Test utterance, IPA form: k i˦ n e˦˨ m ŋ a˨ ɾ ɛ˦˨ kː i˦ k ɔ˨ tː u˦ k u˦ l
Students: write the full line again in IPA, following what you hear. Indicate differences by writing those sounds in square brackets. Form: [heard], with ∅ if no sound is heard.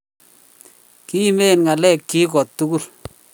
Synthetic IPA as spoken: k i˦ [m] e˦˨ [n] ŋ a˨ [l] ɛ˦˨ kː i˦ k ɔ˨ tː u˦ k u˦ l